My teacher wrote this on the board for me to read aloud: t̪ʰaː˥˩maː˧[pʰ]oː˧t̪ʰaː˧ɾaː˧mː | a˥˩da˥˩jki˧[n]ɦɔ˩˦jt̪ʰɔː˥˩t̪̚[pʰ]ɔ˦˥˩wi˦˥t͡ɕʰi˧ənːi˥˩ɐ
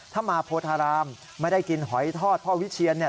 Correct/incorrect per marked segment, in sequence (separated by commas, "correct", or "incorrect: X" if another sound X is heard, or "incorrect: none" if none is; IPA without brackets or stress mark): correct, correct, correct